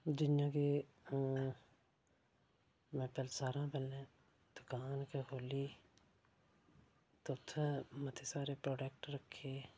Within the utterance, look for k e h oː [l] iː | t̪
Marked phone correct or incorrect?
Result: correct